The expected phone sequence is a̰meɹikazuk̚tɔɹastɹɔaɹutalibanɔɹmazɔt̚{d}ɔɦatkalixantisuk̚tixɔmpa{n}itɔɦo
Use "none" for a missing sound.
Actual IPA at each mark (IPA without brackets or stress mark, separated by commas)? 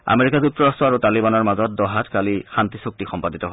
d, d